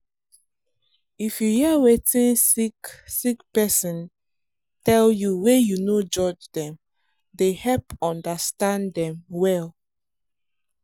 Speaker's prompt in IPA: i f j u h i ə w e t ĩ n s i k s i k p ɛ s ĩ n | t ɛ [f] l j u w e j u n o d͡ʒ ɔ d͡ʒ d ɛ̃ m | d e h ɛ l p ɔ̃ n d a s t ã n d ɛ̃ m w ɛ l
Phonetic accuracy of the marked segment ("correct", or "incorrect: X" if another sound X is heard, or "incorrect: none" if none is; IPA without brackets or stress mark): incorrect: none